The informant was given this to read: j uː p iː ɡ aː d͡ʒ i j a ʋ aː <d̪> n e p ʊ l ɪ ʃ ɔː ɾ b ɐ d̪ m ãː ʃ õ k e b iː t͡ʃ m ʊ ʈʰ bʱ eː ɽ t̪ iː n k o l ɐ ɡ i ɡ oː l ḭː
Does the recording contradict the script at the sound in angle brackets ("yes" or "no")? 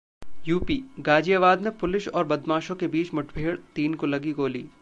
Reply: no